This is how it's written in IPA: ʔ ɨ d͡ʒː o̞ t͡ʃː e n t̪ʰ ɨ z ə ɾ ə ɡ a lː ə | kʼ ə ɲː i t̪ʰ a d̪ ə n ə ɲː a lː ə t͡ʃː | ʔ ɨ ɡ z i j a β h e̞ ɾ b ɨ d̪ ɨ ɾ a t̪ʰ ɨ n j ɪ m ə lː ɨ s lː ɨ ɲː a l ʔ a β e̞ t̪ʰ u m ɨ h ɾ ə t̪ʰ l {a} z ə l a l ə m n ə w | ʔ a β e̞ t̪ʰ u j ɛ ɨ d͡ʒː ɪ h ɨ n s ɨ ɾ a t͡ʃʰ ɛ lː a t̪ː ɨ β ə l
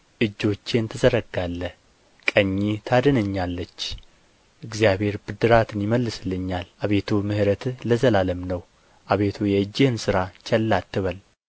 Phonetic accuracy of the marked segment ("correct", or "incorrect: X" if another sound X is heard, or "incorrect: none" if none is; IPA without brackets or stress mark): incorrect: ə